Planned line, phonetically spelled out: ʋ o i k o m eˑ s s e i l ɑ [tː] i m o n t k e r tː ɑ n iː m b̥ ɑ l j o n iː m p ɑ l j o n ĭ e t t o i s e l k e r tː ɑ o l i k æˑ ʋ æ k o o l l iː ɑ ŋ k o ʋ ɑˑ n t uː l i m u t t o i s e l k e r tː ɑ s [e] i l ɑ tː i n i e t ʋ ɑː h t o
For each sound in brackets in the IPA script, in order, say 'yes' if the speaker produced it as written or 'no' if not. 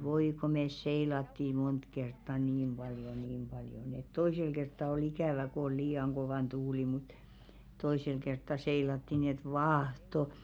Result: yes, yes

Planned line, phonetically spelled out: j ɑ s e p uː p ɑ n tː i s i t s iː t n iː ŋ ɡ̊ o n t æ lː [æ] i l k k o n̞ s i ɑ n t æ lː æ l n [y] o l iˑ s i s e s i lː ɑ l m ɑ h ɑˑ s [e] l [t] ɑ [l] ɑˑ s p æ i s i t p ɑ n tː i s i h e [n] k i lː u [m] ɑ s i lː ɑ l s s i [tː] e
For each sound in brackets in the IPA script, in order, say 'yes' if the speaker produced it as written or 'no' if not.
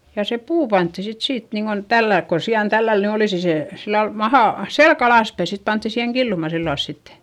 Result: yes, yes, yes, no, yes, no, yes, yes

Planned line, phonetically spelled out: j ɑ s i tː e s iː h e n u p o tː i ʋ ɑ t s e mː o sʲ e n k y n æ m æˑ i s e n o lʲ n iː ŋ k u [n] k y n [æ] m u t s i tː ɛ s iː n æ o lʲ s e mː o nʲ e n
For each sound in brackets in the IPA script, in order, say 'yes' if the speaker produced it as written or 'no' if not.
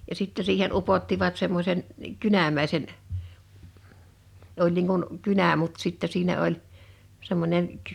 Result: yes, yes

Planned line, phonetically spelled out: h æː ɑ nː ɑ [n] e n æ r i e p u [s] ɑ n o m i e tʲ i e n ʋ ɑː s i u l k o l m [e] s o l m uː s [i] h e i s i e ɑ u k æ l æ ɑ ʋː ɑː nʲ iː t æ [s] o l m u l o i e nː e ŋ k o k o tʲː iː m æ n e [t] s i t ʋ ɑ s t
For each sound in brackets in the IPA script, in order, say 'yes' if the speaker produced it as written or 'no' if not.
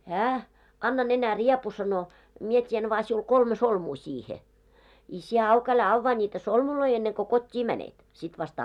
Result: yes, yes, yes, no, yes, yes

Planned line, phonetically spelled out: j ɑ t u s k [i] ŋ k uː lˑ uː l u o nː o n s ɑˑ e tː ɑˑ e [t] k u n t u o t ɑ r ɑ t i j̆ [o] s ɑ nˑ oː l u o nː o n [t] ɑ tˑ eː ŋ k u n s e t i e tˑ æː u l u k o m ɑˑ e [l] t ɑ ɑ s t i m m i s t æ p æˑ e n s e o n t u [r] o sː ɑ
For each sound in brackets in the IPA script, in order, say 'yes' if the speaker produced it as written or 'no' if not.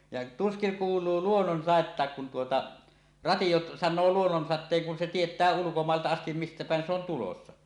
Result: yes, no, yes, no, yes, no

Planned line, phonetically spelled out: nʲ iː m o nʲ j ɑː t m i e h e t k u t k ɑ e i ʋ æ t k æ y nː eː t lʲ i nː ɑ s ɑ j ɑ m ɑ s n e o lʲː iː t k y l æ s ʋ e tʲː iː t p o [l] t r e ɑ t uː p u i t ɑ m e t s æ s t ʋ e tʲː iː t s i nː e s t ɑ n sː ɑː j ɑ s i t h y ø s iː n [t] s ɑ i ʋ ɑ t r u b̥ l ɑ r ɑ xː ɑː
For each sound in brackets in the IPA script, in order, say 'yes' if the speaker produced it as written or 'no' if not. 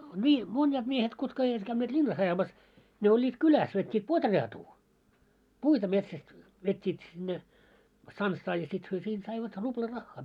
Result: no, yes

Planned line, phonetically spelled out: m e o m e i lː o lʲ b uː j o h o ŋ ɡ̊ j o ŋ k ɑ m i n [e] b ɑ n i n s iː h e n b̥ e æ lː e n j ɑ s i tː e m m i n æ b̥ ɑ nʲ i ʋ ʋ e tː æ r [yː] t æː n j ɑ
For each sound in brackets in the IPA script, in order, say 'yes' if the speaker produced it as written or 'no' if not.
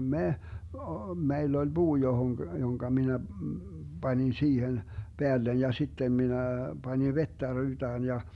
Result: no, yes

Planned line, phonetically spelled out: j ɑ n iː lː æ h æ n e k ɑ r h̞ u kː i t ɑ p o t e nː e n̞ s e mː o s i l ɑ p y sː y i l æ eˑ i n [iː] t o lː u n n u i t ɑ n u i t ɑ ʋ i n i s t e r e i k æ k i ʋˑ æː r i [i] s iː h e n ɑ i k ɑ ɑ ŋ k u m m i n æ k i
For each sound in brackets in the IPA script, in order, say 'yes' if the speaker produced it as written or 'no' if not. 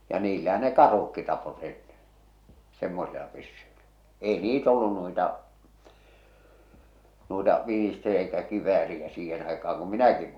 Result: yes, no

